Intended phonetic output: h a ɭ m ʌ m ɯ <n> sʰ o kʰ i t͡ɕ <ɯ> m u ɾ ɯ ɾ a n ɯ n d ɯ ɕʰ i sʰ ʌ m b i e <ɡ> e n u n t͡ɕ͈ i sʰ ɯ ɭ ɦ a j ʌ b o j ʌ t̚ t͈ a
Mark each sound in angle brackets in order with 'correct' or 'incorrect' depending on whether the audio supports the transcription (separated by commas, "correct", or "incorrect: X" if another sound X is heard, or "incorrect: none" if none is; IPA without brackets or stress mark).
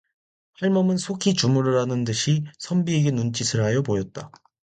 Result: correct, incorrect: u, correct